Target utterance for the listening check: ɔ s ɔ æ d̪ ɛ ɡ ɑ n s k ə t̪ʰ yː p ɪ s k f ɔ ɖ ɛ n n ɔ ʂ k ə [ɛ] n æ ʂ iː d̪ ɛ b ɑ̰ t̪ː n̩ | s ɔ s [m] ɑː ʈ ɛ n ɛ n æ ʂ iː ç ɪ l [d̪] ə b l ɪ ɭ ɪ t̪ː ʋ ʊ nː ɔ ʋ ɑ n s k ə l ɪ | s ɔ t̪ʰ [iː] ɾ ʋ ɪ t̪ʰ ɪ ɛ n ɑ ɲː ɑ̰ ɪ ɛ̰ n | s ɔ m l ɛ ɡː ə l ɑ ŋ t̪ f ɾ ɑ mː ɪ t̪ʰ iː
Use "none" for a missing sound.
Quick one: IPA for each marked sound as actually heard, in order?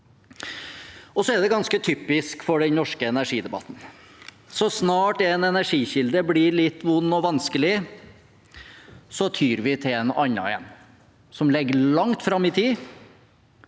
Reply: ɛ, n, d̪, yː

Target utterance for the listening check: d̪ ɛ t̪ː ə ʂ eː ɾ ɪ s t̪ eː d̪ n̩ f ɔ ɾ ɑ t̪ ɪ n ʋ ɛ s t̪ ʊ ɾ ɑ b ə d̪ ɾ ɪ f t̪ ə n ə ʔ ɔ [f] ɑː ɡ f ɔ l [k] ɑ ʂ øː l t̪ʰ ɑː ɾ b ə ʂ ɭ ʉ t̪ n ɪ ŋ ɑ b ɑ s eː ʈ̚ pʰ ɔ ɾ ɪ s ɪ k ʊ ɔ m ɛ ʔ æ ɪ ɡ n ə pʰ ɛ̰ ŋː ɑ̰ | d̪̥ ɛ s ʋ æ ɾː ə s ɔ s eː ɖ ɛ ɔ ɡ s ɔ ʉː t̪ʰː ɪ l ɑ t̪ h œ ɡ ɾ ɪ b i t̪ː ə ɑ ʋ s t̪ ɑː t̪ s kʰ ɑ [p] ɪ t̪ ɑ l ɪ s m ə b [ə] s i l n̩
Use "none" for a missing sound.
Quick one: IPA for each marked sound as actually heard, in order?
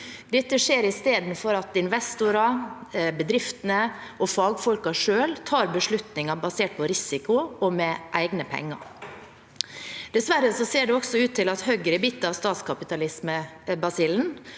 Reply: f, k, p, ɑ

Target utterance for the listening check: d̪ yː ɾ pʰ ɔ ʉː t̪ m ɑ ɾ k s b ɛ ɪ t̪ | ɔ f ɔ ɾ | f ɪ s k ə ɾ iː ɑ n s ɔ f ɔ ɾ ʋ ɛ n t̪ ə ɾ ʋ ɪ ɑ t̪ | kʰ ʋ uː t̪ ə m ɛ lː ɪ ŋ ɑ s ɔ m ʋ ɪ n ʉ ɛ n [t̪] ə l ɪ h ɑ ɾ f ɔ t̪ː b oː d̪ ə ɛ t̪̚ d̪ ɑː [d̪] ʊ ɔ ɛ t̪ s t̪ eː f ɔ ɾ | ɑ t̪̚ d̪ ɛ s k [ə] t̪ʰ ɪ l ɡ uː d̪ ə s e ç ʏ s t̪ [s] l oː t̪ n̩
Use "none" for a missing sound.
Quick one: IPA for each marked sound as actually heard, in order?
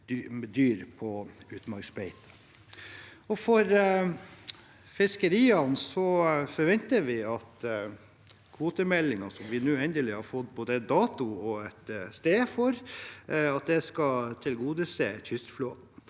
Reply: d̪, t̪, ɑ, f

